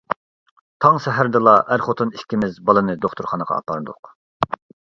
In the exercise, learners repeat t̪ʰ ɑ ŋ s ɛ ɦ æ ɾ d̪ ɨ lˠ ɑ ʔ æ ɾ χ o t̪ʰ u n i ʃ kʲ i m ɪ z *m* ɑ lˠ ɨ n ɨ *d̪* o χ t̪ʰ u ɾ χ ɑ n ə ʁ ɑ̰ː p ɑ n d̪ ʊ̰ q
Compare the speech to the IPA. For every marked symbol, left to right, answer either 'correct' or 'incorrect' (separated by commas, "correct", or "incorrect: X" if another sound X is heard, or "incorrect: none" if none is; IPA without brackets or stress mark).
incorrect: b, correct